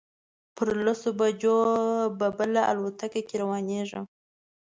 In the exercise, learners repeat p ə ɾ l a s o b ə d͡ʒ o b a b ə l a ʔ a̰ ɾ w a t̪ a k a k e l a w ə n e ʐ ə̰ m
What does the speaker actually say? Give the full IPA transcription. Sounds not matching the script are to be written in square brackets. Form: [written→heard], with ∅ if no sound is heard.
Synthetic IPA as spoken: p ə ɾ l a s o b [ə→a] d͡ʒ o b a b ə l a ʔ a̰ [ɾ→l] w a t̪ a k a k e [l→ɾ] a w [ə→ɑ] n e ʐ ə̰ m